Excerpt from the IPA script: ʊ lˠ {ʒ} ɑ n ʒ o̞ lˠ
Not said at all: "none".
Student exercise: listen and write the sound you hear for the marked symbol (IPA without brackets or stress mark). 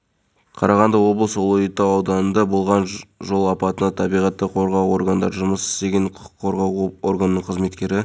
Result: ʁ